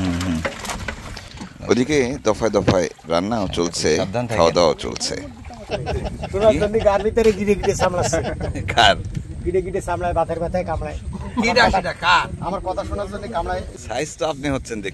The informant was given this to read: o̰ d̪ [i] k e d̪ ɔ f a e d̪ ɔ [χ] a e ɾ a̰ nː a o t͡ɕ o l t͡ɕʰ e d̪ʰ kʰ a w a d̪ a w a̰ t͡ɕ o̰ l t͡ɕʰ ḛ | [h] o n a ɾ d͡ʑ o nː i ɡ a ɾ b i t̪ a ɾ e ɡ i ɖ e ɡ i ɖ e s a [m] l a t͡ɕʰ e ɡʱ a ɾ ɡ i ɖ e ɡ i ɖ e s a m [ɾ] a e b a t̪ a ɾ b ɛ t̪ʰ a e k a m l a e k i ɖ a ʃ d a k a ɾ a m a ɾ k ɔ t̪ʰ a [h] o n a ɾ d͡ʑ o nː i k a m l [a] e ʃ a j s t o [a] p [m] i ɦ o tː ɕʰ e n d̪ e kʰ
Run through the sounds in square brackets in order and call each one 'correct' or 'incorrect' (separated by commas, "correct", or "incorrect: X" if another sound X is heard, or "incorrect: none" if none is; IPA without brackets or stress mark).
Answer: correct, incorrect: f, incorrect: ʃ, correct, incorrect: l, incorrect: ʃ, correct, correct, incorrect: n